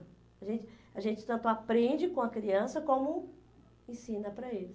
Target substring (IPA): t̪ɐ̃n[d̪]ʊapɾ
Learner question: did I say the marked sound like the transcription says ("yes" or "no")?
no